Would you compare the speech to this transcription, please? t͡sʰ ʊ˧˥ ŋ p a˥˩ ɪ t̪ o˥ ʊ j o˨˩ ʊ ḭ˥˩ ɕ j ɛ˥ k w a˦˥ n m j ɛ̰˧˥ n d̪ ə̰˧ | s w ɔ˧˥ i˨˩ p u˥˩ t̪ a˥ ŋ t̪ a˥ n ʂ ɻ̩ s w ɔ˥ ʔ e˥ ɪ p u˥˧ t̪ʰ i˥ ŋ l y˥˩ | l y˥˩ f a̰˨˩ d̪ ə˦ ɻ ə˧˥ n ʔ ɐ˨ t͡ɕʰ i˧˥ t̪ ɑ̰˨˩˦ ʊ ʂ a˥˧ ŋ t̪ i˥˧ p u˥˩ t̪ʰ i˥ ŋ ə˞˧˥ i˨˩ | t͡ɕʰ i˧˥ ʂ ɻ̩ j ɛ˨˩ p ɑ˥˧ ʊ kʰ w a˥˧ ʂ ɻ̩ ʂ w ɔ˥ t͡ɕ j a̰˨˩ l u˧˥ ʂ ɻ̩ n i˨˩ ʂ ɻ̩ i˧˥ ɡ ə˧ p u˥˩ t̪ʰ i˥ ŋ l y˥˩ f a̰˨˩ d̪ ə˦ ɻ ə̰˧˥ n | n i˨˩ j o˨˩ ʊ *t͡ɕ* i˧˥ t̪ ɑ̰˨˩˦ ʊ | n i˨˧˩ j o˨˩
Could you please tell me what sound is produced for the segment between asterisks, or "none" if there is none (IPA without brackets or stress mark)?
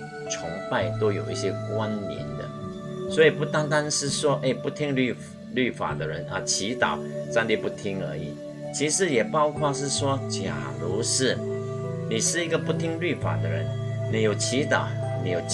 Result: t͡ɕʰ